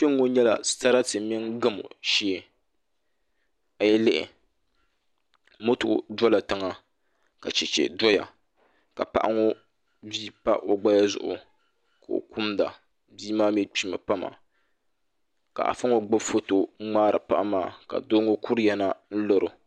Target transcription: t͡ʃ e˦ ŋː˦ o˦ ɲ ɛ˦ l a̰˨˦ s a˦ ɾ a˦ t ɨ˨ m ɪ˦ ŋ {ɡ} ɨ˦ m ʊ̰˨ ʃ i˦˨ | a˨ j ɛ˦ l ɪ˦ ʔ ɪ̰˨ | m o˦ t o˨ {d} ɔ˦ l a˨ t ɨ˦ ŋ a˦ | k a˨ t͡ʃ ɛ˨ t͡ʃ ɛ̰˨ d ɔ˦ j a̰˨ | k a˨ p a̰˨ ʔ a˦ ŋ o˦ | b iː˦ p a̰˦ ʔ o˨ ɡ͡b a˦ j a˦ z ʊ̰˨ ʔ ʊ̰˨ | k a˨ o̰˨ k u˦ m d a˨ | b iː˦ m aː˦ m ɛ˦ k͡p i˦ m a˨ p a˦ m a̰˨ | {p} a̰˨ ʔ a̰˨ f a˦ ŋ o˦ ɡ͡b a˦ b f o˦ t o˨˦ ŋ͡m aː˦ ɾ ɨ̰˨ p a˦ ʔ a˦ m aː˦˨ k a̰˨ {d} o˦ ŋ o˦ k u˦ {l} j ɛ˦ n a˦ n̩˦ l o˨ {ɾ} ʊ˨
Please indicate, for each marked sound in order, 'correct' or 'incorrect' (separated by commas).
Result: correct, correct, incorrect, correct, incorrect, correct